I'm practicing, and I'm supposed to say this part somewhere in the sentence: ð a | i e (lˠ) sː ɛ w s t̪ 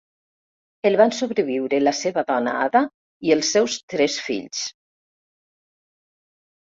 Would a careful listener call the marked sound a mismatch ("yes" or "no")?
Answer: no